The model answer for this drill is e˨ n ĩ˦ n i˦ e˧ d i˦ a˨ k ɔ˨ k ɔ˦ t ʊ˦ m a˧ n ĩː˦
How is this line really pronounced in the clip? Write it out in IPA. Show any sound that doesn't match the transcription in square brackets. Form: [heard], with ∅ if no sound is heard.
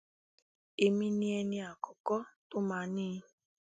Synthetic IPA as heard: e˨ [m] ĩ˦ n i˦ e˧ [n] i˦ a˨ k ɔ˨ k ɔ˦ t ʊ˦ m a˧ n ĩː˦